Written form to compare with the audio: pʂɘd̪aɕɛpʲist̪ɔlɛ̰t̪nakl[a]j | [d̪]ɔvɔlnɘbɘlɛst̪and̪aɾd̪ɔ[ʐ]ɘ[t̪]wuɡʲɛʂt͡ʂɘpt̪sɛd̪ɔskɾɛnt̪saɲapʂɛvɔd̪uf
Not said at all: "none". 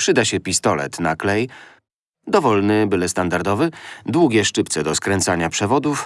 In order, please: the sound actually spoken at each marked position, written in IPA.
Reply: ɛ, d̪, v, d̪

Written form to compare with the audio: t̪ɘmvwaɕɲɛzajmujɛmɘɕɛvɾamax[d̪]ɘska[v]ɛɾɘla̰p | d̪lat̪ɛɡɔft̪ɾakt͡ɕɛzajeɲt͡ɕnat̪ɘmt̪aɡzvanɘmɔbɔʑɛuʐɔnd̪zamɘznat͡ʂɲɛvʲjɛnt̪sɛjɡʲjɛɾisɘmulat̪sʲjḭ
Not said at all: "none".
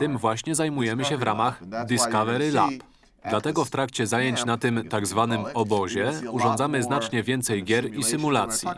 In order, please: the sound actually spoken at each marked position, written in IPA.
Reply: d̪, v

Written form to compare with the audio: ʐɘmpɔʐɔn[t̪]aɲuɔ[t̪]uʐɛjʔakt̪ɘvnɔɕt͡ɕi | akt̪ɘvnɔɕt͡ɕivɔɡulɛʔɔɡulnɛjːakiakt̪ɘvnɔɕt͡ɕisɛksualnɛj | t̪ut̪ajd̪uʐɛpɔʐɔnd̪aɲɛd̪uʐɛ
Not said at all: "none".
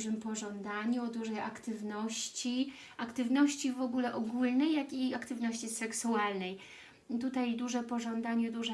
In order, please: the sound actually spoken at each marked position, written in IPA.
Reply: d̪, d̪

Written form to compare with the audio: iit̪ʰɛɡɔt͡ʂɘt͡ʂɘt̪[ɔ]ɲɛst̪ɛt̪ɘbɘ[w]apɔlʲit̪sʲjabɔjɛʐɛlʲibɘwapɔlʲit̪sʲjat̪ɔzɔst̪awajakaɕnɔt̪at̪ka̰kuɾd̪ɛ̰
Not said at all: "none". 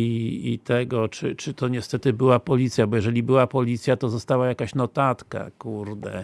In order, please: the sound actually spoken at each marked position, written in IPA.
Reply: ɔ, w

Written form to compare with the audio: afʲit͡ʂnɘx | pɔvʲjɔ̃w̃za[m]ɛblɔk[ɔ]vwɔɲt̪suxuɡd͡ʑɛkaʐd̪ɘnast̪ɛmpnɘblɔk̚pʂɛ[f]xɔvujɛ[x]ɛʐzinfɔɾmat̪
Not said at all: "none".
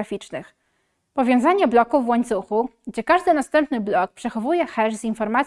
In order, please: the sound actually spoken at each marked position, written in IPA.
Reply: ɲ, u, none, x

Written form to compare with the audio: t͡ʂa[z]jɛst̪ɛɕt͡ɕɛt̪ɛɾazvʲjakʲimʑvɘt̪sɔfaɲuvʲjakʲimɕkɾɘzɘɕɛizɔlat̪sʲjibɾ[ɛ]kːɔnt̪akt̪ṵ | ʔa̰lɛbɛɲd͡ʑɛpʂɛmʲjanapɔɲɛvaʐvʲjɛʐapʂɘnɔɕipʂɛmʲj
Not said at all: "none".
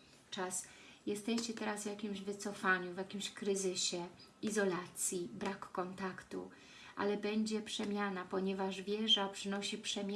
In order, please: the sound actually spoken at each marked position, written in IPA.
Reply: s, a

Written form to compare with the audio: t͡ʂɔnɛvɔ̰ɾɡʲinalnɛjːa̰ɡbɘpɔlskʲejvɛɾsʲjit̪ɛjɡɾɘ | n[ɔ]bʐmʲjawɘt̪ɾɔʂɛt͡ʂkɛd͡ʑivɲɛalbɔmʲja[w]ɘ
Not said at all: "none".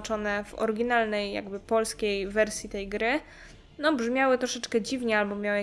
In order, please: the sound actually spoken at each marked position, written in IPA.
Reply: ɔ, w

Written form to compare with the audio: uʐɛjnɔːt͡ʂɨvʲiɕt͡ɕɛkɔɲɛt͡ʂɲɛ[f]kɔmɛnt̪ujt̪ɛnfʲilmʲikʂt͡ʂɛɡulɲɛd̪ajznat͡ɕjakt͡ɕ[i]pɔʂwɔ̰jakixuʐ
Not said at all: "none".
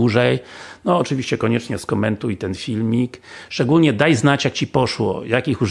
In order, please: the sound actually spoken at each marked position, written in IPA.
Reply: s, i

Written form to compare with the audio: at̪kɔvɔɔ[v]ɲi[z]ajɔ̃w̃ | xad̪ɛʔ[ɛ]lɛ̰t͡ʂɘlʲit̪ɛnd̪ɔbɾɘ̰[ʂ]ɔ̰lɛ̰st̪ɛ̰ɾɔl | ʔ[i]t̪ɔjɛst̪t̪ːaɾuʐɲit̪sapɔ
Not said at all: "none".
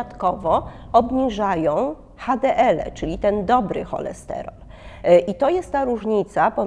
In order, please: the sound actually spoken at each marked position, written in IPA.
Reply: b, ʐ, ɛ, x, i

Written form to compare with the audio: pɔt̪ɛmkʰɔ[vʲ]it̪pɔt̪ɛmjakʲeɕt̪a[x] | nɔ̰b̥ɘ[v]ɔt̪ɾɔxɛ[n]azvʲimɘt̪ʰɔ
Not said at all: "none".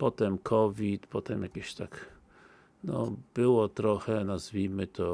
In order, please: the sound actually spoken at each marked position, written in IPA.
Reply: vʲ, k, w, n

